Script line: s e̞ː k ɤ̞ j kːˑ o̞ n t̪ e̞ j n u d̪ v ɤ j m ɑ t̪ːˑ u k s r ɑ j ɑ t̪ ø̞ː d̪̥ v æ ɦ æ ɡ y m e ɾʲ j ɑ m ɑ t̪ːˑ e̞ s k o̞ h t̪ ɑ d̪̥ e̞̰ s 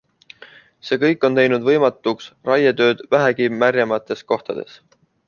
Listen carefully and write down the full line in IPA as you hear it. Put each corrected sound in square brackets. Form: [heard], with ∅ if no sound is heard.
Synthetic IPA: s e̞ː k ɤ̞ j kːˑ o̞ n t̪ e̞ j n u d̪ v ɤ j m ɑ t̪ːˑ u k s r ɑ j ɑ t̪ ø̞ː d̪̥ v æ ɦ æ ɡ [i] m [æ] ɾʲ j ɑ m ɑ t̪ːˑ e̞ s k o̞ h t̪ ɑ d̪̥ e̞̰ s

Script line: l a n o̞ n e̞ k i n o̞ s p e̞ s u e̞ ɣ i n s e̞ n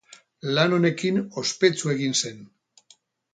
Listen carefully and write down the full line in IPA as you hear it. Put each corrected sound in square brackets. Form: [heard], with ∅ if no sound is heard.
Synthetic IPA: l a n o̞ n e̞ k i n o̞ s p e̞ [t͡s] u e̞ ɣ i n s e̞ n

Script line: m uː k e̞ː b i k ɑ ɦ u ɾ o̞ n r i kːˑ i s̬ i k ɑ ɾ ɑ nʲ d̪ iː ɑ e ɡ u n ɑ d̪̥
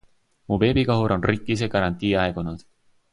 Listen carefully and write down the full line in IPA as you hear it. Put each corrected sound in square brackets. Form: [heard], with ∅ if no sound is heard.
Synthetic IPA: m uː [p] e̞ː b i k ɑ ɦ u ɾ o̞ n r i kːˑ i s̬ [e] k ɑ ɾ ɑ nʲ [t̪] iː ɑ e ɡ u n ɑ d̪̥

